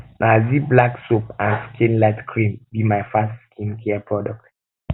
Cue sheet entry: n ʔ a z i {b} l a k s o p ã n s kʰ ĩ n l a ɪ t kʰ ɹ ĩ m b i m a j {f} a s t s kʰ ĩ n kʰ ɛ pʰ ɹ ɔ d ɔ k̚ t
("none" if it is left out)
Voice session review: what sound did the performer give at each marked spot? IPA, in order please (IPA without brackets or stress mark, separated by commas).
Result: b, f